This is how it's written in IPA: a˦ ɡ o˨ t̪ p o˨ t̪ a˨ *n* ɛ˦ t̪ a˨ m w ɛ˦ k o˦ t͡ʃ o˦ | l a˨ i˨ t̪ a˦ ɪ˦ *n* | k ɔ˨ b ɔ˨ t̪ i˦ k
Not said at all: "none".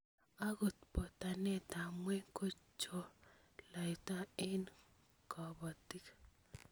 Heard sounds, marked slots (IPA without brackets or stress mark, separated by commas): n, n